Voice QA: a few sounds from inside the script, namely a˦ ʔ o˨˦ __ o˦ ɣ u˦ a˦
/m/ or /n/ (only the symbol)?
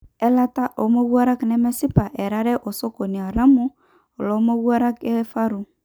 m